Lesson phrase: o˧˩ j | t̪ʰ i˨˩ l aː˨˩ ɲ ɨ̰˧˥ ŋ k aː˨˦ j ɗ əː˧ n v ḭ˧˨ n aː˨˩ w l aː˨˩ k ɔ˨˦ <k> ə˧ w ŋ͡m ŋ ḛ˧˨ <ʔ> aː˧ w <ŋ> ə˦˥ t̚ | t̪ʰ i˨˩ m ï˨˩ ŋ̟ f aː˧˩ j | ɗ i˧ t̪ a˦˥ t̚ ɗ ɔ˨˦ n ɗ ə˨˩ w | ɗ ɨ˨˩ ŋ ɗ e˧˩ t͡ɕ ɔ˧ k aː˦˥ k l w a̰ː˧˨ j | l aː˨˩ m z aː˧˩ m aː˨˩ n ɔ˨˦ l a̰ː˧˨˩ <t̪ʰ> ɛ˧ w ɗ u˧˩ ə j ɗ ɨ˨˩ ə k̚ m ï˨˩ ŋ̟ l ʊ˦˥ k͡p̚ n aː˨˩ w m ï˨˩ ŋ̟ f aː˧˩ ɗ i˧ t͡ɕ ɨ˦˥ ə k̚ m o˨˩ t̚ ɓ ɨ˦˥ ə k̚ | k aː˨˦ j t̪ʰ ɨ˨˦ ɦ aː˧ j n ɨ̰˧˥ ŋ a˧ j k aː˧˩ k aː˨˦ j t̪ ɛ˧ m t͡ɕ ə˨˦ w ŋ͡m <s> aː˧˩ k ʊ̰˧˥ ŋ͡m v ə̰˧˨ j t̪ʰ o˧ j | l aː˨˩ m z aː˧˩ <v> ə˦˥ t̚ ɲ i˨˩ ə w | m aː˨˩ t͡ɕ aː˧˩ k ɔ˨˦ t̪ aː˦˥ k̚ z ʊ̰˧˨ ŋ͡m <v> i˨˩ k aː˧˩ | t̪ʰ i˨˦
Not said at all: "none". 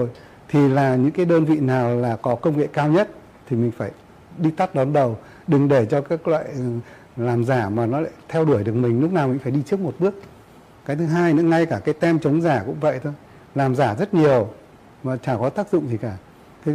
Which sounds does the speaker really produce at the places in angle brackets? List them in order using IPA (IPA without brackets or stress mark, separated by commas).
k, k, ɲ, t̪ʰ, z, z, z